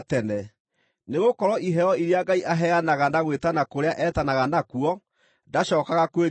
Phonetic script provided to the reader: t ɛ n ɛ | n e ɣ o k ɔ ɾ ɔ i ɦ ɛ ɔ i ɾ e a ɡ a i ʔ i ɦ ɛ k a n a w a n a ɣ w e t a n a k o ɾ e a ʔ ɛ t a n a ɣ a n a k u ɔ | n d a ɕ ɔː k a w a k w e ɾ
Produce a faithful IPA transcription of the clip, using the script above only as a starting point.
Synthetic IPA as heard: t ɛ n ɛ | n e ɣ o k ɔ ɾ ɔ i ɦ ɛ ɔ i ɾ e a ɡ a i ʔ a ɦ ɛ a n a ɣ a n a ɣ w e t a n a k o ɾ e a ʔ ɛ t a n a ɣ a n a k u ɔ | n d a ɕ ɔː k a ɣ a k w e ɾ